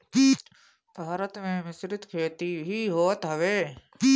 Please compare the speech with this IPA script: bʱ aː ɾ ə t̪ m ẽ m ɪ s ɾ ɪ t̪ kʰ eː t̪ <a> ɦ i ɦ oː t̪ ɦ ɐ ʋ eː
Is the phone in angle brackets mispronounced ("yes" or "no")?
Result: yes